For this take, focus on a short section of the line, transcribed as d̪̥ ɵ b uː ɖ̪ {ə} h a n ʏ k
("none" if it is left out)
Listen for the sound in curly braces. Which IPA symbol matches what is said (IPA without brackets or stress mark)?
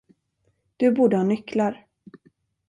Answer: ə